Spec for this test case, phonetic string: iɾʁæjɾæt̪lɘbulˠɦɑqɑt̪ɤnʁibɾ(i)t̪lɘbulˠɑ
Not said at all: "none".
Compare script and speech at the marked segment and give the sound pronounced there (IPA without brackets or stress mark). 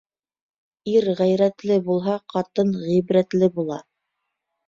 æ